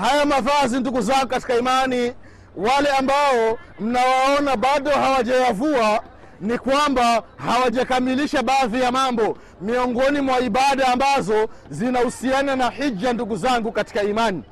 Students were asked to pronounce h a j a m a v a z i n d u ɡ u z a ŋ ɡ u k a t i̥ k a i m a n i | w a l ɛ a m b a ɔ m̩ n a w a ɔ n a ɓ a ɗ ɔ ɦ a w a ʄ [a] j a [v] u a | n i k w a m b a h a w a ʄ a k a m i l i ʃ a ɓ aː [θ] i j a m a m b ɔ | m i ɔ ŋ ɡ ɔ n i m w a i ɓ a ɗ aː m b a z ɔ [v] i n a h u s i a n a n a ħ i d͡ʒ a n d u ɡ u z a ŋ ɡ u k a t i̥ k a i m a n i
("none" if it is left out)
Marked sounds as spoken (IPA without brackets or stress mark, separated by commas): a, v, ð, z